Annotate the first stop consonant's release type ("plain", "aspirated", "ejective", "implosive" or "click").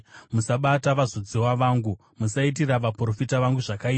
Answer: implosive